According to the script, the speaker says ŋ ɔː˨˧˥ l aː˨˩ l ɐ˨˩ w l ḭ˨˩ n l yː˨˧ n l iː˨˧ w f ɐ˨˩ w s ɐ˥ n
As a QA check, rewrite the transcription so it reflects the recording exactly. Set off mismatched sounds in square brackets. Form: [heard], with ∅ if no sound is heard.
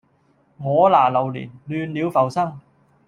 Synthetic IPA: ŋ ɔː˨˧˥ l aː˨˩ l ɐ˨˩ w l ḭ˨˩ n l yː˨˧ n l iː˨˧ w f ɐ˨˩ w s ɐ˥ [ŋ]